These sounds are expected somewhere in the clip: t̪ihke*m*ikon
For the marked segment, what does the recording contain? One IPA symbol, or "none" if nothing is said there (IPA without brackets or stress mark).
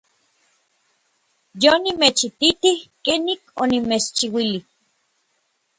n